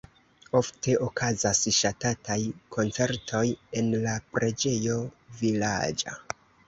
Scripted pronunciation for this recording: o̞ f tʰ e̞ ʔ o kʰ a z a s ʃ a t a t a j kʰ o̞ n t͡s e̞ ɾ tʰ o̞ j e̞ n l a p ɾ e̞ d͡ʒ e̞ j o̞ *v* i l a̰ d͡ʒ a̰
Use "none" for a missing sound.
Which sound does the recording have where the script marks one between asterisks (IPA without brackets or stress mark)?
v